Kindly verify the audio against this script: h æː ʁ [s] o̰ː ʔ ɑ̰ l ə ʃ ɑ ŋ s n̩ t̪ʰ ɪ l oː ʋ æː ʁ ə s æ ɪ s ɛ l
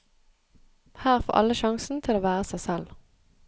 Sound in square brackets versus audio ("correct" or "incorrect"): incorrect